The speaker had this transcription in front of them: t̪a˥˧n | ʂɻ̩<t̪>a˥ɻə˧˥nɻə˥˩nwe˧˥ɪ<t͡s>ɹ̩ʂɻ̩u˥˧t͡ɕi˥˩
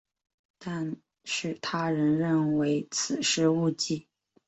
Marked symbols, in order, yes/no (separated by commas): no, no